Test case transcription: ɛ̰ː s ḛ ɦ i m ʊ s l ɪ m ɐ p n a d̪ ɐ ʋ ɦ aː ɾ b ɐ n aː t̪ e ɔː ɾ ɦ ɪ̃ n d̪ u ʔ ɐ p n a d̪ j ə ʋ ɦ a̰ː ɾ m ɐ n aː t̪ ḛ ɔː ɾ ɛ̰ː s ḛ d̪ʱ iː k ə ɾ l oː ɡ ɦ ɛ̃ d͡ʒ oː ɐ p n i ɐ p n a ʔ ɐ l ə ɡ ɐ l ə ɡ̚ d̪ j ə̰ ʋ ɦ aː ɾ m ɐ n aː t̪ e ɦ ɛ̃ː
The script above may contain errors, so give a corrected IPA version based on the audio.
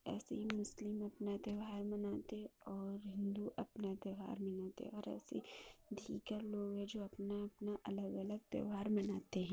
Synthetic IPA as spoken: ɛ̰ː s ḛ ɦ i m ʊ s l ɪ m ɐ p n a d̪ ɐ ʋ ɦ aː ɾ m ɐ n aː t̪ e ɔː ɾ ɦ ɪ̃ n d̪ u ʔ ɐ p n a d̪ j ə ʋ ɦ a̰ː ɾ m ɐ n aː t̪ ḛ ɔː ɾ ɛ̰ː s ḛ d̪ʱ iː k ə ɾ l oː ɡ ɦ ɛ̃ d͡ʒ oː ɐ p n a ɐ p n a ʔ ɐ l ə ɡ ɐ l ə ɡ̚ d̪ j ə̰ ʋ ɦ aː ɾ m ɐ n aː t̪ e ɦ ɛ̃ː

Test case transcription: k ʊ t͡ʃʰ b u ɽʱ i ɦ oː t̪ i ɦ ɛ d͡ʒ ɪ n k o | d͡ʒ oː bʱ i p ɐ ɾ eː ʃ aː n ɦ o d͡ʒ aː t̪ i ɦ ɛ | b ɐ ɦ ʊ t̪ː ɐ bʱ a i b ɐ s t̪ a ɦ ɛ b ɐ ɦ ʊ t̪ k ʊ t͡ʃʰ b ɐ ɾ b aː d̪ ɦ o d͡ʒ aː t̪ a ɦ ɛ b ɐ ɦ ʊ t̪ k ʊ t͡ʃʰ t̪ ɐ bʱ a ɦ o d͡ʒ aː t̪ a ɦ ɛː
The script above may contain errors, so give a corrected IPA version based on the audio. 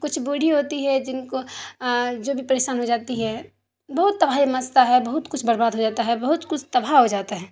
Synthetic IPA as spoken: k ʊ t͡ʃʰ b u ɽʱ i ɦ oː t̪ i ɦ ɛ d͡ʒ ɪ n k o | d͡ʒ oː bʱ i p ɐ ɾ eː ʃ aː n ɦ o d͡ʒ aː t̪ i ɦ ɛ | b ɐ ɦ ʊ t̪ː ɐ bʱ a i m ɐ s t̪ a ɦ ɛ b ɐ ɦ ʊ t̪ k ʊ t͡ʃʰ b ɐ ɾ b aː d̪ ɦ o d͡ʒ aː t̪ a ɦ ɛ b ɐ ɦ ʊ t̪ k ʊ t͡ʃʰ t̪ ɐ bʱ a ɦ o d͡ʒ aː t̪ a ɦ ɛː

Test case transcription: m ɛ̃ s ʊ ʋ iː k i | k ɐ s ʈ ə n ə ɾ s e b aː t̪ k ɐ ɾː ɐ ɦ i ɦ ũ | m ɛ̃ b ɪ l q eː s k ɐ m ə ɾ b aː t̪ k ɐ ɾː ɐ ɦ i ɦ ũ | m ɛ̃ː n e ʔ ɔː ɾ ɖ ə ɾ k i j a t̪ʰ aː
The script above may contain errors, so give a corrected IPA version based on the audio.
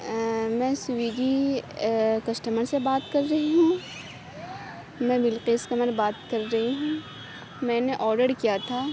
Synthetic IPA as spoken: m ɛ̃ s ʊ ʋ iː ɡ i | k ɐ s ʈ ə m ə ɾ s e b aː t̪ k ɐ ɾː ɐ ɦ i ɦ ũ | m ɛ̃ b ɪ l q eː s k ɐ m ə ɾ b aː t̪ k ɐ ɾː ɐ ɦ i ɦ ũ | m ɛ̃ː n e ʔ ɔː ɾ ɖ ə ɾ k i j a t̪ʰ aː

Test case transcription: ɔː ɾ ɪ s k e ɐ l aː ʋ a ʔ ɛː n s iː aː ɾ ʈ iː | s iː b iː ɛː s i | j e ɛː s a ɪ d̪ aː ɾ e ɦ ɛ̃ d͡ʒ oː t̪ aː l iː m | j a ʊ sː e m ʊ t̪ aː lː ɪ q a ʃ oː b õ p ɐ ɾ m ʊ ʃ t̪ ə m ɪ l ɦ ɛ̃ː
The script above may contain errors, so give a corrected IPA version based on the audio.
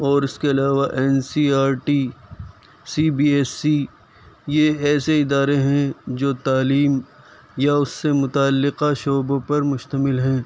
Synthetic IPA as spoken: ɔː ɾ ɪ s k e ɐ l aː ʋ a ʔ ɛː n s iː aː ɾ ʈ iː | s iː b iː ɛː s i | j e ɛː s e ɪ d̪ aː ɾ e ɦ ɛ̃ d͡ʒ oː t̪ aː l iː m | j a ʊ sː e m ʊ t̪ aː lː ɪ q a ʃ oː b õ p ɐ ɾ m ʊ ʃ t̪ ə m ɪ l ɦ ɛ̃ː

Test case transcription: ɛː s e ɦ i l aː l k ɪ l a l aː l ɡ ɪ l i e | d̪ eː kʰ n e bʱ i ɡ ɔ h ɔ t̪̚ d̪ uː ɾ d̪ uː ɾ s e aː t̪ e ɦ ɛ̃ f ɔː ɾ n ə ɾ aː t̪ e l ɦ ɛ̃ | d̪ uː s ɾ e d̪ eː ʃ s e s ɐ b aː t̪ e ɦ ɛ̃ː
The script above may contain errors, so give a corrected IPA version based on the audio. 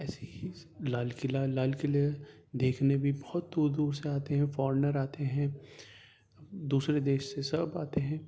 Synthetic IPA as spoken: ɛː s e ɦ i l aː l k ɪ l a l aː l k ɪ l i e | d̪ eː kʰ n e bʱ i b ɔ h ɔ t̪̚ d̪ uː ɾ d̪ uː ɾ s e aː t̪ e ɦ ɛ̃ f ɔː ɾ n ə ɾ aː t̪ e ɦ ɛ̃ | d̪ uː s ɾ e d̪ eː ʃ s e s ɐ b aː t̪ e ɦ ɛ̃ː

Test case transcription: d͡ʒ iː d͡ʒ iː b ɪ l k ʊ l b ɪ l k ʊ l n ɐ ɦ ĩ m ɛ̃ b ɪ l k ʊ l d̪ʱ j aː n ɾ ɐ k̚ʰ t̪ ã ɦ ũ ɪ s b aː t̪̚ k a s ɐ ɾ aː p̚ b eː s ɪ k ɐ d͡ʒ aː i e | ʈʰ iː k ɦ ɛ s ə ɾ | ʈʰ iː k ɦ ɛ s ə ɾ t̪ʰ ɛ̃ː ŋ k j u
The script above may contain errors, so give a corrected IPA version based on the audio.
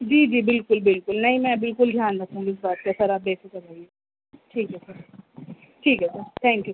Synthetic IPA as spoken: d͡ʒ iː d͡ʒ iː b ɪ l k ʊ l b ɪ l k ʊ l n ɐ ɦ ĩ m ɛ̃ b ɪ l k ʊ l d̪ʱ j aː n ɾ ɐ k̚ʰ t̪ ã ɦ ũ ɪ s b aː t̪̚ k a s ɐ ɾ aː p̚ b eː s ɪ k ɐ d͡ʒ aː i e | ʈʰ iː k ɦ ɛ s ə ɾ | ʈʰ iː k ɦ ɛ s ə ɾ t̪ʰ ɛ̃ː ŋ k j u

